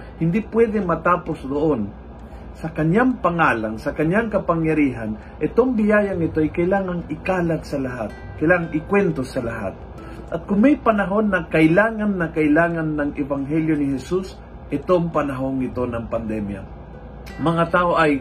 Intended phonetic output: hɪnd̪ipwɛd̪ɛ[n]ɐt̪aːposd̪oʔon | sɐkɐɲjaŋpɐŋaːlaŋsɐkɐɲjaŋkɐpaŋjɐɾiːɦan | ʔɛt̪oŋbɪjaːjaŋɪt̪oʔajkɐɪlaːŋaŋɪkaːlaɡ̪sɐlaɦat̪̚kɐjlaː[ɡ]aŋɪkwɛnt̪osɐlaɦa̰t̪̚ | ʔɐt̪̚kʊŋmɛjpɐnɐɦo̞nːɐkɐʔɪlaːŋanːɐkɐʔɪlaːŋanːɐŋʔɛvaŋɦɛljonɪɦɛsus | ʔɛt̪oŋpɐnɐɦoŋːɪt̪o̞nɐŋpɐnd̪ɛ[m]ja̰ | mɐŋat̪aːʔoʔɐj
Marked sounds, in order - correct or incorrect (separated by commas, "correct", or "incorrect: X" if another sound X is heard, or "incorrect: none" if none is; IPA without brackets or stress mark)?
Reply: incorrect: m, incorrect: ŋ, correct